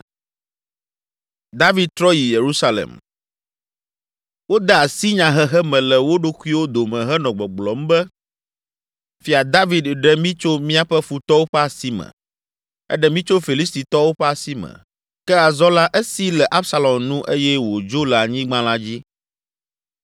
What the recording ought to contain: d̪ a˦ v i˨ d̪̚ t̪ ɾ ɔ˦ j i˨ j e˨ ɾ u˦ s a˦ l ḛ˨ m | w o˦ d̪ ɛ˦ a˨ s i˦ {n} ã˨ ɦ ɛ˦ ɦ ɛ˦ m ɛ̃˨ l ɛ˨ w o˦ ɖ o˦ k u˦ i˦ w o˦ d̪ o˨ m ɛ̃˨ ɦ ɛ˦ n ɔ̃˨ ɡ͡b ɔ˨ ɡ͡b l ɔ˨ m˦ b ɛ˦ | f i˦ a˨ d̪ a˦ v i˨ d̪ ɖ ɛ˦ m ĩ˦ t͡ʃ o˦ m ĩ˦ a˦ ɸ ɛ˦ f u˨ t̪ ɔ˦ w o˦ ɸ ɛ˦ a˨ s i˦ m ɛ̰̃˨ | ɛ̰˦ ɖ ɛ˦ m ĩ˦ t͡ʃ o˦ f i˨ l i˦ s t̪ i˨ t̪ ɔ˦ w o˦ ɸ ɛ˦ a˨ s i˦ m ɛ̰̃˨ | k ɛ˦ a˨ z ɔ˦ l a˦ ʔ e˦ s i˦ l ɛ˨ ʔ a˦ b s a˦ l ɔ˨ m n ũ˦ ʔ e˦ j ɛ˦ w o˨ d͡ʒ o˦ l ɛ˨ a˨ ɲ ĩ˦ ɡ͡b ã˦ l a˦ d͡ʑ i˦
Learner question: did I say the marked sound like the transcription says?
no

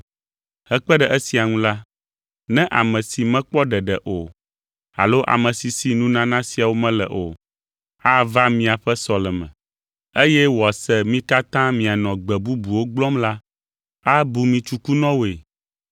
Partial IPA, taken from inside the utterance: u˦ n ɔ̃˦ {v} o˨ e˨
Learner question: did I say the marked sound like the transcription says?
no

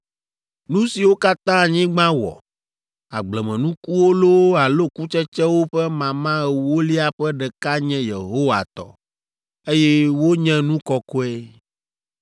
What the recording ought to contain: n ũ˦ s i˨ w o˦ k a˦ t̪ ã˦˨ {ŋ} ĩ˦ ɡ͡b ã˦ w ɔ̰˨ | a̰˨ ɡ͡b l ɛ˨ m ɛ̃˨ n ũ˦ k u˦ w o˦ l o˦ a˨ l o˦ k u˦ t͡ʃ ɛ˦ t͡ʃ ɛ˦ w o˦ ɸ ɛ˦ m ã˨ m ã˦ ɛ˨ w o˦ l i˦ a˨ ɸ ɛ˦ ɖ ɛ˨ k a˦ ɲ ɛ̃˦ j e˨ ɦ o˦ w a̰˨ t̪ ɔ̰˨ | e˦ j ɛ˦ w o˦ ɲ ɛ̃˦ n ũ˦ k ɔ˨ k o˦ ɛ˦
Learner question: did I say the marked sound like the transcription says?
no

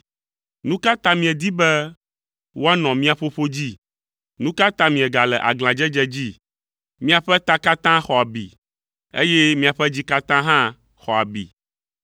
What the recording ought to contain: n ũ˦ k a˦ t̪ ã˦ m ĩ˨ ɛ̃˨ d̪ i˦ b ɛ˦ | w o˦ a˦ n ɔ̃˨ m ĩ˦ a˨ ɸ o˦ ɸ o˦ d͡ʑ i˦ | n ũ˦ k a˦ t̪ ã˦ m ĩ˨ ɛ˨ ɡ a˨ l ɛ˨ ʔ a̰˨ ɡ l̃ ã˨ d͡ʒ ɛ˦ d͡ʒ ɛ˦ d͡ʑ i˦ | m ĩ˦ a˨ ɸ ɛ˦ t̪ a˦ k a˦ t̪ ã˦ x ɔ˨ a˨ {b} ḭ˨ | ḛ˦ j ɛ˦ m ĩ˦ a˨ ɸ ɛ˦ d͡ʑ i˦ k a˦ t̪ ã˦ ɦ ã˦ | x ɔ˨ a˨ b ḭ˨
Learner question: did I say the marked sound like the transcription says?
yes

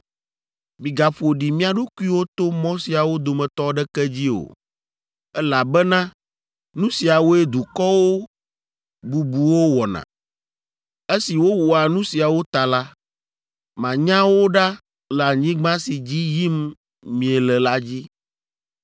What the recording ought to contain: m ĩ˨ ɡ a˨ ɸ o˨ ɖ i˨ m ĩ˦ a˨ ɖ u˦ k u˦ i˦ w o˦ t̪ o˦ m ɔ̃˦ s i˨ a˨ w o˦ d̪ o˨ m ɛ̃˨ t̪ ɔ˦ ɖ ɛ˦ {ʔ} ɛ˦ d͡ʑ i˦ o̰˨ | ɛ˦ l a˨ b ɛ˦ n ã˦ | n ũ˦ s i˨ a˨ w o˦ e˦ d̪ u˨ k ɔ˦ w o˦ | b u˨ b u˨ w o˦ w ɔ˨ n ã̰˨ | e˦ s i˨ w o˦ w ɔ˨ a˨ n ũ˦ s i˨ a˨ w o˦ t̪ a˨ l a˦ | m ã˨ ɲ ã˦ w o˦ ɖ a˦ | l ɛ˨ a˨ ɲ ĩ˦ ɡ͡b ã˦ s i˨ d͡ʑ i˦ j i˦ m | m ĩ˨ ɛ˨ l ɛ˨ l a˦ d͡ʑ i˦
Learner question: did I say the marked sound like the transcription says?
no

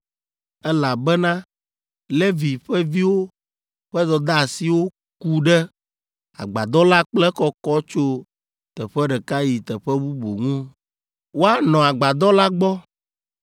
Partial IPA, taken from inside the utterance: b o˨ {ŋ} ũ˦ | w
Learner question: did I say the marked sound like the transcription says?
yes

